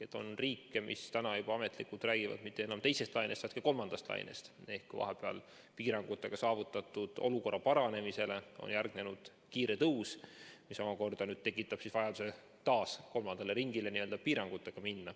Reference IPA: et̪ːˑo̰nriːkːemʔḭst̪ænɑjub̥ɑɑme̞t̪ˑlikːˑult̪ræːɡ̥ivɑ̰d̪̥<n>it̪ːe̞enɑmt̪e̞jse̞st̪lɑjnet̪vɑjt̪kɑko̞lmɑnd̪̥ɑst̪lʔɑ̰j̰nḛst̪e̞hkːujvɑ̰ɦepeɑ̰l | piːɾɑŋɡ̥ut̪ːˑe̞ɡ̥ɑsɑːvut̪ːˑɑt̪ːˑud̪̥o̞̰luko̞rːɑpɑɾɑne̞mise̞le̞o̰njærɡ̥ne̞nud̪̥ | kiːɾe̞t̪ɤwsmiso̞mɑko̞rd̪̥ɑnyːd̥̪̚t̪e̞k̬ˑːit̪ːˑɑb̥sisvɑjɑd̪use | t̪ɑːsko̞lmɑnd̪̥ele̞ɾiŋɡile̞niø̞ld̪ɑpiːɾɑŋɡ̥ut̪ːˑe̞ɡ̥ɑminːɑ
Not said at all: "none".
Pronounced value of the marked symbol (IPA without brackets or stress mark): m